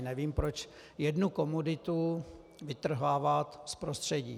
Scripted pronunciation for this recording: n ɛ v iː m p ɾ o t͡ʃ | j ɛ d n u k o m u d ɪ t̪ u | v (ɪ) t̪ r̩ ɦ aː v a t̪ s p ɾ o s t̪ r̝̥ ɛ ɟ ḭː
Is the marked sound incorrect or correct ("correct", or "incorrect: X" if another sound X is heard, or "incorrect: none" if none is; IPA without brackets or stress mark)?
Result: correct